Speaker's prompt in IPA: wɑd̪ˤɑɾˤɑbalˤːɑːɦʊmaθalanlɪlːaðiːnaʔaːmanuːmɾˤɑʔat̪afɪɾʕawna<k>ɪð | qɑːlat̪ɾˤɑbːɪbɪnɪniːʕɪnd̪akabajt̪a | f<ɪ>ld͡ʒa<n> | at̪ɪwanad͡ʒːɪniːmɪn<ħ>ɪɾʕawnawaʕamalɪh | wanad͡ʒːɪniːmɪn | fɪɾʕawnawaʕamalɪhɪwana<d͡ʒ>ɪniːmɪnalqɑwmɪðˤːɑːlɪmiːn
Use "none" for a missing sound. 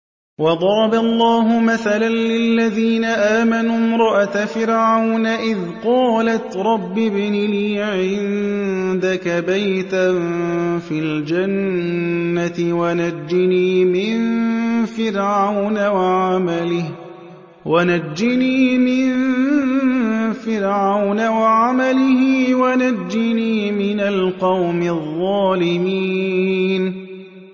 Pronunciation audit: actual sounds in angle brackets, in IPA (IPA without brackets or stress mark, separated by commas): ʔ, i, nː, f, d͡ʒː